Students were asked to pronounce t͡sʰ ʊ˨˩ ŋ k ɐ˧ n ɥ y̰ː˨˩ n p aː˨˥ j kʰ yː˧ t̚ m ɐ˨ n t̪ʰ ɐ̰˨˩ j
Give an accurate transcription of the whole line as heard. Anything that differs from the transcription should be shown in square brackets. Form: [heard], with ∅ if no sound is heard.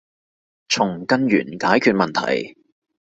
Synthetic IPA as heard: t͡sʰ ʊ˨˩ ŋ k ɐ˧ n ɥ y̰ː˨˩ n [k] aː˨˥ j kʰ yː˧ t̚ m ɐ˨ n t̪ʰ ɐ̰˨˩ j

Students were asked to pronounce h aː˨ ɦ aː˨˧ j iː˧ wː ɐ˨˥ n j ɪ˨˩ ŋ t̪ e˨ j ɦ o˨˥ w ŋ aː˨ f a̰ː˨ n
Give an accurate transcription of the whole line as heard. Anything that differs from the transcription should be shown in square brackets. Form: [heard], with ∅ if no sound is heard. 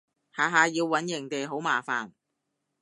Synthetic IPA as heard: h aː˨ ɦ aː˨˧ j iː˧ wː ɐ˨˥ n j ɪ˨˩ ŋ t̪ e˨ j ɦ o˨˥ w [m] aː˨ f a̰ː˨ n

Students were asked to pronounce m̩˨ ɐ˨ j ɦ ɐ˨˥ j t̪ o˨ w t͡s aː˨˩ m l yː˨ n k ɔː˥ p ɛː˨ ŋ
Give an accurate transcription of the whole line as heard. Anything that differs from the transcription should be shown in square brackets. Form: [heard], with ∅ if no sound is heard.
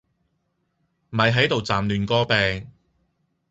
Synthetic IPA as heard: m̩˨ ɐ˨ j ɦ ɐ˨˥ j t̪ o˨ w t͡s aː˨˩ m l yː˨ n k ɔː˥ p ɛː˨ ŋ

